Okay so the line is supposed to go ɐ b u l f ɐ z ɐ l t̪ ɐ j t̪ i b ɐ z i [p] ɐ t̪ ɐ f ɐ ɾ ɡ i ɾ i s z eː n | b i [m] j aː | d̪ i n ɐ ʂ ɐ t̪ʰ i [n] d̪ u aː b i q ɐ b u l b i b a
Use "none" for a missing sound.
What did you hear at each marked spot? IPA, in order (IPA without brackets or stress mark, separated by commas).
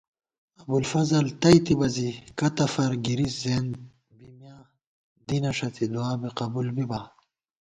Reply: k, m, none